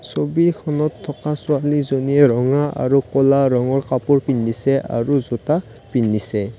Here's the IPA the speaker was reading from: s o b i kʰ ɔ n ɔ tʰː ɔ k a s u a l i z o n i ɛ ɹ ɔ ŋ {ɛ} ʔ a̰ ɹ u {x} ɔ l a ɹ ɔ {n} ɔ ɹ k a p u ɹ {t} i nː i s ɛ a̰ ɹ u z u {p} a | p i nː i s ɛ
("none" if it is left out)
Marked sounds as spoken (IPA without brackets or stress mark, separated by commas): a, k, ŋ, p, t